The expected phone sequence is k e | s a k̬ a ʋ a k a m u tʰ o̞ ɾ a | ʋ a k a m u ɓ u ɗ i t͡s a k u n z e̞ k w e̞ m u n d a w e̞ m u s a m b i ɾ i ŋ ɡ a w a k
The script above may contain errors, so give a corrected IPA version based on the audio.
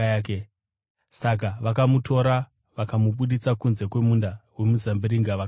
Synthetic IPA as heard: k e | s a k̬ a ʋ a k a m u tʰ o̞ ɾ a | ʋ a k a m u ɓ u ɗ i t͡s a k u n z e̞ k w e̞ m u n d a w e̞ m u z a m b i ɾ i ŋ ɡ a ʋ a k